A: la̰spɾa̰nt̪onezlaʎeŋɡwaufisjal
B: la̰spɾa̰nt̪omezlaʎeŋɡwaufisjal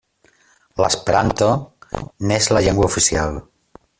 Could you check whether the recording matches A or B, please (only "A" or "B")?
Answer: A